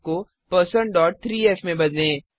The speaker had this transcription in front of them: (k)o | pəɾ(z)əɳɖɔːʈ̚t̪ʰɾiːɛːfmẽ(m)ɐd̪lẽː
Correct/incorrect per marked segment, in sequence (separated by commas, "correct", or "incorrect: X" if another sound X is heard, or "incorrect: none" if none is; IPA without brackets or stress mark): correct, incorrect: s, incorrect: b